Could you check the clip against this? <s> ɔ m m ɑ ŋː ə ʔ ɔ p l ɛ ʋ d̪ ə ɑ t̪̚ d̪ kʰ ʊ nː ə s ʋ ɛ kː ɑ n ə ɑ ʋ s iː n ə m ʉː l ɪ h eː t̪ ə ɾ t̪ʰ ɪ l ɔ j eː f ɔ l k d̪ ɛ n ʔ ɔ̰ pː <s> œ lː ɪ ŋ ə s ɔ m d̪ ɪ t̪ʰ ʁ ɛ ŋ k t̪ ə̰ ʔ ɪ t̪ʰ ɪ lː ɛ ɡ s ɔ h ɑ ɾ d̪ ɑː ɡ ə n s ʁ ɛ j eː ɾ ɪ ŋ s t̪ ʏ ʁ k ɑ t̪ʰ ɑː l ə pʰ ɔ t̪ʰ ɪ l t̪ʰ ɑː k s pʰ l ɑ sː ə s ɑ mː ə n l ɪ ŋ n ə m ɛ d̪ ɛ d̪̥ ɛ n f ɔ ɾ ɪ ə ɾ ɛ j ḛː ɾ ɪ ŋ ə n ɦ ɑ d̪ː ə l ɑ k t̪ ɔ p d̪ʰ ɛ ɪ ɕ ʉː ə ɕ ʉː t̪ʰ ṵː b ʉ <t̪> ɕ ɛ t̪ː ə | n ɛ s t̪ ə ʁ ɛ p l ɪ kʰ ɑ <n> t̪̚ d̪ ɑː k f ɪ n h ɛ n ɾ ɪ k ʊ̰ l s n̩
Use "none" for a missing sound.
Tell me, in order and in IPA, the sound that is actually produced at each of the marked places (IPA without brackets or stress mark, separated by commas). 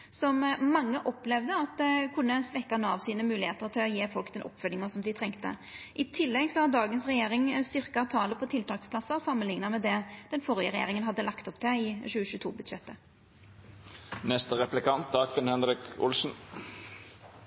s, f, d̪, n